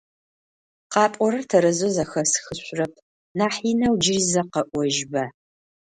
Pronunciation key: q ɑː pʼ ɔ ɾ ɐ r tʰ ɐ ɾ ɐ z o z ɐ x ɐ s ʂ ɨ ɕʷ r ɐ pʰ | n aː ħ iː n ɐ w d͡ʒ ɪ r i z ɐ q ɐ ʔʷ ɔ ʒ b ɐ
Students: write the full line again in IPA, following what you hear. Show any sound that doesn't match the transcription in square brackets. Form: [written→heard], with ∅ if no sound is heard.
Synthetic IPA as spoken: q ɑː pʼ ɔ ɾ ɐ r tʰ ɐ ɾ ɐ z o z ɐ x ɐ s [ʂ→x] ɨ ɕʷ r ɐ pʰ | n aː ħ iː n ɐ w d͡ʒ ɪ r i z ɐ q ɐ ʔʷ ɔ ʒ b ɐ